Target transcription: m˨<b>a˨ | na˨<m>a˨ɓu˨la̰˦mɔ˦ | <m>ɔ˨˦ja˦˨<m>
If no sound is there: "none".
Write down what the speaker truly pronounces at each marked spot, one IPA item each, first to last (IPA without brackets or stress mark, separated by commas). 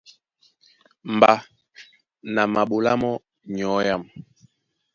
b, m, ɲ, m